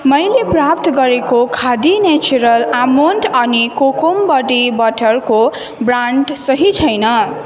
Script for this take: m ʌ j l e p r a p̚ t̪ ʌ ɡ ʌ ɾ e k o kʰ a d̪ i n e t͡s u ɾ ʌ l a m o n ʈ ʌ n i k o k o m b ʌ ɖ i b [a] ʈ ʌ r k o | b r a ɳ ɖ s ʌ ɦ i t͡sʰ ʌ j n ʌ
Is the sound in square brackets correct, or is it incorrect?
incorrect